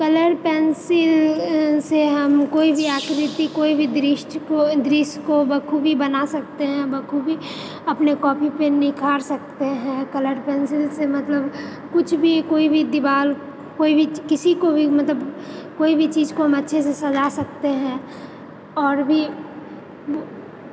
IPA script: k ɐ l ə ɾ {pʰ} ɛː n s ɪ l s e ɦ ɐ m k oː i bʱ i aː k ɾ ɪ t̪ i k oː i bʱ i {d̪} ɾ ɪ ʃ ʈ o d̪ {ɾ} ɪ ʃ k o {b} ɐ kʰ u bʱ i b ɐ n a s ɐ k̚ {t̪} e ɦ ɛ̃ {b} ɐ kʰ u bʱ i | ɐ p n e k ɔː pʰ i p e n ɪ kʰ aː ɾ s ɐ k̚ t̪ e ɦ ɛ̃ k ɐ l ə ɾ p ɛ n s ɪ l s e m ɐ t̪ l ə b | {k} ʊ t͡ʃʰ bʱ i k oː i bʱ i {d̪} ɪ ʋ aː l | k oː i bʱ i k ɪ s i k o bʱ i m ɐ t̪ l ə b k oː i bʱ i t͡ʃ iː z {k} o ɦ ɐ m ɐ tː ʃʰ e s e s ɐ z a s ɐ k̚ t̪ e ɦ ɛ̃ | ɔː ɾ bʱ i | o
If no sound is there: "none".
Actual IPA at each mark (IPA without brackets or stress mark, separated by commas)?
p, d̪, ɾ, b, t̪, b, k, d̪, k